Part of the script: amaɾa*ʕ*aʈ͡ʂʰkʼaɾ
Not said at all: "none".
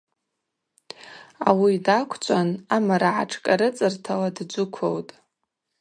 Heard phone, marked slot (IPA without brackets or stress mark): ʕ